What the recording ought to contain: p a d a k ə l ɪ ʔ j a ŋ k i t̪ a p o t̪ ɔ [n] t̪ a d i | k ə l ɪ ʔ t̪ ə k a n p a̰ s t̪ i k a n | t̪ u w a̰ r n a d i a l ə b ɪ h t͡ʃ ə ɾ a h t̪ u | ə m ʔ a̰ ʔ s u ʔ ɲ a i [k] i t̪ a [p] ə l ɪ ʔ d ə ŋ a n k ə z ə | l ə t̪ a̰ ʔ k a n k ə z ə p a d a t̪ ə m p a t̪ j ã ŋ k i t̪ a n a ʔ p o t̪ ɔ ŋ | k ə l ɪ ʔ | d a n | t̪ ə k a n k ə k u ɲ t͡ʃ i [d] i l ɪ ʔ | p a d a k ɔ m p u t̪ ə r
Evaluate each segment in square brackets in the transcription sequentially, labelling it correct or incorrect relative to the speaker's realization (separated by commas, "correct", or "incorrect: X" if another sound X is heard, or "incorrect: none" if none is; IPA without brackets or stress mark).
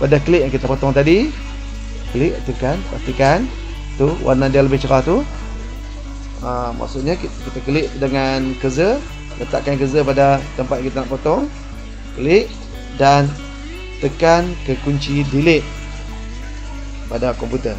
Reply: incorrect: ŋ, correct, incorrect: k, correct